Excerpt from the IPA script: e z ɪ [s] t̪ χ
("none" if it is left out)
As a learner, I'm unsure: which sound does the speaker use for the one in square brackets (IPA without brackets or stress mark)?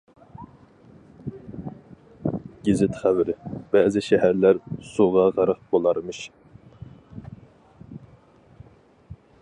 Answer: none